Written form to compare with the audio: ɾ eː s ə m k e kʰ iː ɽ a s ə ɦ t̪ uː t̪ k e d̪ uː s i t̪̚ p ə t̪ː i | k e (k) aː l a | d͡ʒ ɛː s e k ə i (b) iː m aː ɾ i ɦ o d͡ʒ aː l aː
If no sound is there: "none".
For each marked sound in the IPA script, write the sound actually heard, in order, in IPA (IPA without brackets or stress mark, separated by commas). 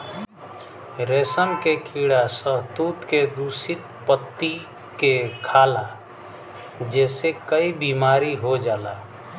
kʰ, b